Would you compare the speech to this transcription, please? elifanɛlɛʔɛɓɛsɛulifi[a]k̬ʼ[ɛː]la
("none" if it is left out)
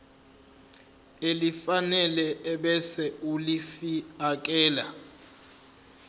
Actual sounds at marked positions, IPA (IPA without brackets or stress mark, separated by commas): a, ɛː